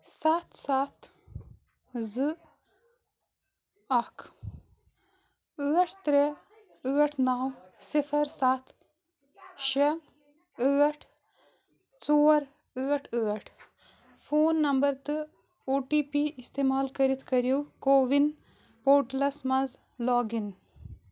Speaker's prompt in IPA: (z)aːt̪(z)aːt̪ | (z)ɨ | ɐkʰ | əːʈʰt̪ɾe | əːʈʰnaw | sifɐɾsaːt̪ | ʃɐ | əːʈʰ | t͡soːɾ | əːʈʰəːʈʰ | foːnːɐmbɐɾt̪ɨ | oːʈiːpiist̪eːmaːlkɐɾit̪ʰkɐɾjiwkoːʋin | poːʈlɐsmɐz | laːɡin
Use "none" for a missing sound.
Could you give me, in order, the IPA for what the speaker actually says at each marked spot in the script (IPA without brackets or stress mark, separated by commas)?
s, s, z